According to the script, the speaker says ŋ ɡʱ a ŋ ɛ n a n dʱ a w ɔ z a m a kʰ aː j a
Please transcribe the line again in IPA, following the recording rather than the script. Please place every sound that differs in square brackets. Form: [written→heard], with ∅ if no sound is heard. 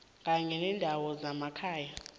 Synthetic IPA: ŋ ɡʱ a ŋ ɛ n [a→ɛ] n dʱ a w ɔ z a m a kʰ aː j a